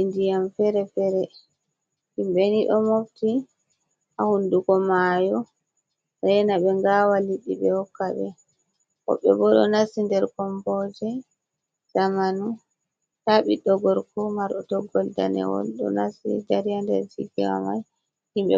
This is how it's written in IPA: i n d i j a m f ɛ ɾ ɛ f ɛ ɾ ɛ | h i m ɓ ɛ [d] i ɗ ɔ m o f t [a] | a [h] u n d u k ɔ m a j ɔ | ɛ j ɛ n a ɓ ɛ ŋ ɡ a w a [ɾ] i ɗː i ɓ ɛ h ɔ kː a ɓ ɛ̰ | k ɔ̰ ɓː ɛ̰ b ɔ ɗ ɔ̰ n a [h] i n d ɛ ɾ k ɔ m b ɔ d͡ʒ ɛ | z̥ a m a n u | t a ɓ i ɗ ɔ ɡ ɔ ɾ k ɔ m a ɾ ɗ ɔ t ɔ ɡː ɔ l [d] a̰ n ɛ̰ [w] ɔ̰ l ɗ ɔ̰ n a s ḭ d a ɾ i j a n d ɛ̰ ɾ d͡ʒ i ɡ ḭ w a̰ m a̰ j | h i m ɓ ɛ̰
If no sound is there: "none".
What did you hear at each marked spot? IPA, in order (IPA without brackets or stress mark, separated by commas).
n, i, h, l, s, d, w